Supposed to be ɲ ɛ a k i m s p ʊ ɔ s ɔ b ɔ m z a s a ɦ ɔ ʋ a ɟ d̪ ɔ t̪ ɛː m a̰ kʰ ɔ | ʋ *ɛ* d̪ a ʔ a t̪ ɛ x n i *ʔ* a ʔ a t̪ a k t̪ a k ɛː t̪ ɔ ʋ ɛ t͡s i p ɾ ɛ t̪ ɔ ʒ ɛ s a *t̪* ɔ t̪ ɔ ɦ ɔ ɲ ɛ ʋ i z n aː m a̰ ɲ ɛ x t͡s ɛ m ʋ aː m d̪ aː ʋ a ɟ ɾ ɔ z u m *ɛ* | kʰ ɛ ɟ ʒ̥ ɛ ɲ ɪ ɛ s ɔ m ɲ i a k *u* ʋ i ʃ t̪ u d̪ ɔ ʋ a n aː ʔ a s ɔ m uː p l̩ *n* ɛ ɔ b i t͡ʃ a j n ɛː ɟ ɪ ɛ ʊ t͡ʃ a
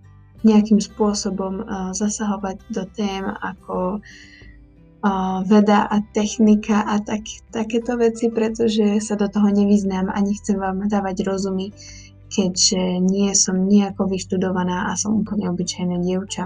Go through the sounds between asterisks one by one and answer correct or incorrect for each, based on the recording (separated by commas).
correct, incorrect, incorrect, incorrect, incorrect, incorrect